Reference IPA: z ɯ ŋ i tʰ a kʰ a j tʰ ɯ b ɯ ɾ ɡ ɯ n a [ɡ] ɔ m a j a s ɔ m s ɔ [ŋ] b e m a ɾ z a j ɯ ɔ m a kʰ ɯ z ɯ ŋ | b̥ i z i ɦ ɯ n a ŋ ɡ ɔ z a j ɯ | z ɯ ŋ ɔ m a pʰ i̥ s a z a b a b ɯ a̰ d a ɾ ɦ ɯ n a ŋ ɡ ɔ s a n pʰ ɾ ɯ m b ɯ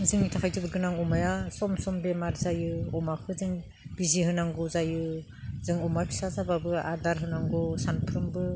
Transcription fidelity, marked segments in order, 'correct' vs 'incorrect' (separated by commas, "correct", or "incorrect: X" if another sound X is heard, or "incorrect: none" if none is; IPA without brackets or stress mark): incorrect: ŋ, incorrect: m